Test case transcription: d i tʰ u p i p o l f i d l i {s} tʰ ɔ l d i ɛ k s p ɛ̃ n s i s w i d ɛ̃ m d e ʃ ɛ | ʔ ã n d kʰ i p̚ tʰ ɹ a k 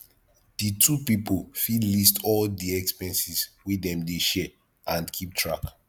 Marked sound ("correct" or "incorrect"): correct